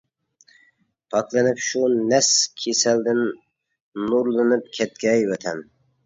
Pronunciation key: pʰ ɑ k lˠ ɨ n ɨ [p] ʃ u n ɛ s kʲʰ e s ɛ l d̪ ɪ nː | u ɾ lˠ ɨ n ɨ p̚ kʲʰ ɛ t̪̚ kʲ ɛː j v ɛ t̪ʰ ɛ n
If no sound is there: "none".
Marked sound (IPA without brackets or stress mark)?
p